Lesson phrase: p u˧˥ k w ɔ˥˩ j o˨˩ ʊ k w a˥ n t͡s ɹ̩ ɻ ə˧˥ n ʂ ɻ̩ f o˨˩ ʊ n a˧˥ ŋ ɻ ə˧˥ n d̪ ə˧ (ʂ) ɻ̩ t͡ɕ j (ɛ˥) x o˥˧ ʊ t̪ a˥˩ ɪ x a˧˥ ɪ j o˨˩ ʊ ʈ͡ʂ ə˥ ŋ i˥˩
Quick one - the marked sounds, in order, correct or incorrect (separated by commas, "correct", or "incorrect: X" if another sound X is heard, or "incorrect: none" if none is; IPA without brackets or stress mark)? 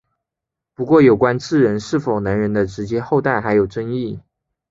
incorrect: ʈ͡ʂ, correct